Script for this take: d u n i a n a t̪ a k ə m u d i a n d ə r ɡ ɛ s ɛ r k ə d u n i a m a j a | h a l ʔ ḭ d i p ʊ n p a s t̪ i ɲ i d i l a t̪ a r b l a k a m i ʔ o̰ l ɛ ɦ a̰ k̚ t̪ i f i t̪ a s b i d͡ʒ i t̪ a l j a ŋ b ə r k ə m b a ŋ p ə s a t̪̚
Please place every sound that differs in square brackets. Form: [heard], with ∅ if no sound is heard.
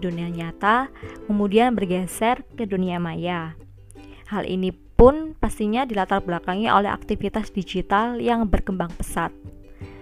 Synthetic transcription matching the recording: d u n i a [ɲ] a t̪ a k ə m u d i a n [b] ə r ɡ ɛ s ɛ r k ə d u n i a m a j a | h a l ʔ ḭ [n] i p ʊ n p a s t̪ i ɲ [a] d i l a t̪ a r b l a k a [ŋ] i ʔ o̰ l ɛ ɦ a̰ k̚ t̪ i f i t̪ a s [d] i d͡ʒ i t̪ a l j a ŋ b ə r k ə m b a ŋ p ə s a t̪̚